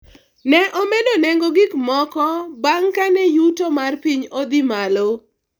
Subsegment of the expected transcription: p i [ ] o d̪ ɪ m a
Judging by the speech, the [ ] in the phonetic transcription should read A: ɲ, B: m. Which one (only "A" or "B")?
A